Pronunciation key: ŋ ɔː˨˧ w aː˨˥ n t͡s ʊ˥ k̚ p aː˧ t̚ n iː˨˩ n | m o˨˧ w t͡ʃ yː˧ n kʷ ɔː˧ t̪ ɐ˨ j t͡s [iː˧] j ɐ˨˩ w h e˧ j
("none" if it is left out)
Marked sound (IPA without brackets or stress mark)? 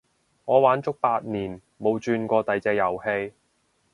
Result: ɛː˧